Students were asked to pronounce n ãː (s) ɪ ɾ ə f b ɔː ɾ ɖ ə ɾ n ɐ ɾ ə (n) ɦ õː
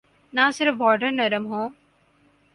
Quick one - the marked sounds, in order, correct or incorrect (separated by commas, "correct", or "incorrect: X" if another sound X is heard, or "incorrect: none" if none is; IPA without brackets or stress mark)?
correct, incorrect: m